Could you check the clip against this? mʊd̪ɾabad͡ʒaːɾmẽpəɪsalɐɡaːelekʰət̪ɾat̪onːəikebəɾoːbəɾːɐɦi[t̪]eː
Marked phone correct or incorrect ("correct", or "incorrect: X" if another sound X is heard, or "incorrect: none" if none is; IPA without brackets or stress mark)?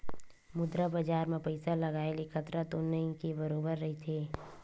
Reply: incorrect: t̪ʰ